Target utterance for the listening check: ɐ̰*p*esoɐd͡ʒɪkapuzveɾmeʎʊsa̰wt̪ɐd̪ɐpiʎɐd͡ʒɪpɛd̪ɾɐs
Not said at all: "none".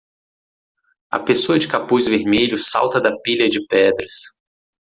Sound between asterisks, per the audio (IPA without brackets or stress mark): p